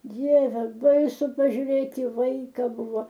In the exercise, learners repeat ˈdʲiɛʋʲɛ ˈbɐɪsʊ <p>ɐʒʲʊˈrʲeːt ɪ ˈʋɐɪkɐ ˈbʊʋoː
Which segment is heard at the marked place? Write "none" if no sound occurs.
p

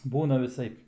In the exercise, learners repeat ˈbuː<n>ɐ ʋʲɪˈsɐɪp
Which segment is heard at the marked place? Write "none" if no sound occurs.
n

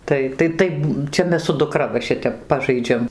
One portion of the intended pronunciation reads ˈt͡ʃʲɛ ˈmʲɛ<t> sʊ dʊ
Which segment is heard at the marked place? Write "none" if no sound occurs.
s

